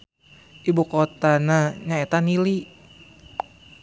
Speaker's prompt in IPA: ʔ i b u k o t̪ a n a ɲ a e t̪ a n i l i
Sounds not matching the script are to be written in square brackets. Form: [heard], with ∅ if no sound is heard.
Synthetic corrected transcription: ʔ i b u k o t̪ a n a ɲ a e t̪ a n i l i